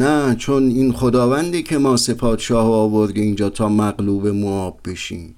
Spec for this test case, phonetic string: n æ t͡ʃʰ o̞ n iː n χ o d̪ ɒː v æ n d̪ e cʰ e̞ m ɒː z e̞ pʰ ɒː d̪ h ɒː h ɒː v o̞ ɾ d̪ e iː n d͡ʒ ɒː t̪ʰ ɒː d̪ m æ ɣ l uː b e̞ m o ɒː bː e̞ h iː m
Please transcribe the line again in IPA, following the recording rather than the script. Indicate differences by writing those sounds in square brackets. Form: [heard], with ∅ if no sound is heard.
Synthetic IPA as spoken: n æ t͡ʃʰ o̞ n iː n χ o d̪ ɒː v æ n d̪ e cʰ e̞ m ɒː [s] e̞ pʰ ɒː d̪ [ʃ] ɒː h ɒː v o̞ ɾ d̪ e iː n d͡ʒ ɒː t̪ʰ ɒː [∅] m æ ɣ l uː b e̞ m o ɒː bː e̞ [ʃ] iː m